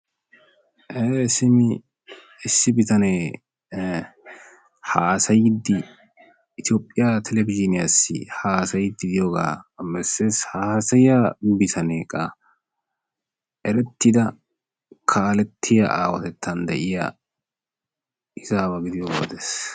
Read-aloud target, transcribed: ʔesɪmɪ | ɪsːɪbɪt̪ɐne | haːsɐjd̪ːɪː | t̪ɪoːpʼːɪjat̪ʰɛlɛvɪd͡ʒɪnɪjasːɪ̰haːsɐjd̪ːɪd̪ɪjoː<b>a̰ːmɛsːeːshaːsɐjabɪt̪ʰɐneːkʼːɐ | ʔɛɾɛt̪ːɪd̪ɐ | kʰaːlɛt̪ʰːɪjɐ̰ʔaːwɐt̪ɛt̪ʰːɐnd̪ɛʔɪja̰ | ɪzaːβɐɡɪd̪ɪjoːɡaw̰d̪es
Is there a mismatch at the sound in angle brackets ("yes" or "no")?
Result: yes